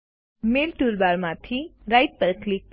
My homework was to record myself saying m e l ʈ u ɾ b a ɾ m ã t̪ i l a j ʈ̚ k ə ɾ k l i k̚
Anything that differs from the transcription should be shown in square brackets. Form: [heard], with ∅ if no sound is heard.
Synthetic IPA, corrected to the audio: m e l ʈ u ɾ b a ɾ m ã [t̪ʰ] i [ɾ] a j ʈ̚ [p] ə ɾ k l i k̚